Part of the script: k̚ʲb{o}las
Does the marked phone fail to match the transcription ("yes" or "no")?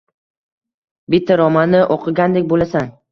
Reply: no